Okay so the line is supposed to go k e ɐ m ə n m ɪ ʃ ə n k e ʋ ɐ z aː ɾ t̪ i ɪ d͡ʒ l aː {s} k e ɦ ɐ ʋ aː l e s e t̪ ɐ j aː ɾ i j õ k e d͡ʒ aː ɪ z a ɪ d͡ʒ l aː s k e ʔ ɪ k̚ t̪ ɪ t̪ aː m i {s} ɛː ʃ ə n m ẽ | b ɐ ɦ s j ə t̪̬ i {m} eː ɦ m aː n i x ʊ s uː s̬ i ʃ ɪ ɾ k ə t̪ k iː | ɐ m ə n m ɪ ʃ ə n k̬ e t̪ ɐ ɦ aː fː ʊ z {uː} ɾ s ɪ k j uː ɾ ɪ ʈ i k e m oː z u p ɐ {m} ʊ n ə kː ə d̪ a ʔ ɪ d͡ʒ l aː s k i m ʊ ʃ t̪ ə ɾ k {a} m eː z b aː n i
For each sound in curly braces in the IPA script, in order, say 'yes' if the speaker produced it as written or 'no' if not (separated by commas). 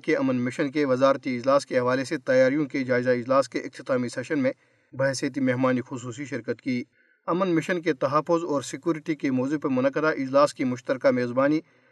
yes, yes, yes, no, yes, yes